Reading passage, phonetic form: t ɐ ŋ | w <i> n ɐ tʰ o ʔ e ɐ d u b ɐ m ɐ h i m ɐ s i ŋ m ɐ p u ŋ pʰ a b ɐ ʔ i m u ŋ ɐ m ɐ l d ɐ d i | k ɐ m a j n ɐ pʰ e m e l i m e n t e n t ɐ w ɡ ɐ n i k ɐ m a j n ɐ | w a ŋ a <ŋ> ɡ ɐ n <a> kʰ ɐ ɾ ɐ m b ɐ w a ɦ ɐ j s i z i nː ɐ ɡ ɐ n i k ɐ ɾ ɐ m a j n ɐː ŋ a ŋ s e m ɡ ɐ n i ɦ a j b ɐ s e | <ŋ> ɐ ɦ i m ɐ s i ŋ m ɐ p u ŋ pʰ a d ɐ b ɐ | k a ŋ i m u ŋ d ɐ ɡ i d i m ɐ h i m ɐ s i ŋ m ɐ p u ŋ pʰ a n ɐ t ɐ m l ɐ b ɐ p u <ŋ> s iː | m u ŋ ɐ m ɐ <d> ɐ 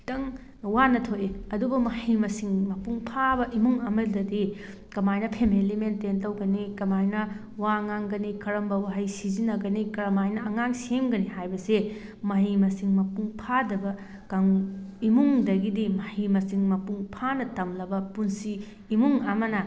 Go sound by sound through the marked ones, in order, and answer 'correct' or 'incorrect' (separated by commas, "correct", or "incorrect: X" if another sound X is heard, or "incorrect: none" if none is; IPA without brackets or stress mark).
incorrect: a, correct, incorrect: i, incorrect: m, incorrect: n, incorrect: n